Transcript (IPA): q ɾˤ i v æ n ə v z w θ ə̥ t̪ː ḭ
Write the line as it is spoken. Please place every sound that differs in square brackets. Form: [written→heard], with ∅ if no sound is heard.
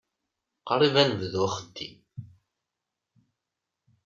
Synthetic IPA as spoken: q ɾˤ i v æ n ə v [z→ð] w [θ→χ] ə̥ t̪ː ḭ